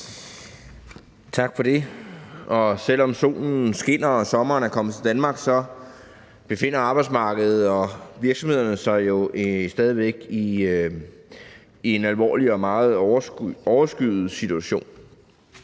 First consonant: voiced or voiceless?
voiceless